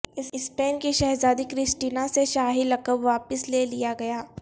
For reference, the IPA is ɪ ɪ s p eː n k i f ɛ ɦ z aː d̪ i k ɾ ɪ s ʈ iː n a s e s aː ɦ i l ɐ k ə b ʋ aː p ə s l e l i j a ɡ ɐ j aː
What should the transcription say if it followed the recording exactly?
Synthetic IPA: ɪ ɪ s p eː n k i ʃ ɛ ɦ z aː d̪ i k ɾ ɪ s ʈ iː n a s e ʃ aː ɦ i l ɐ k ə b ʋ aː p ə s l e l i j a ɡ ɐ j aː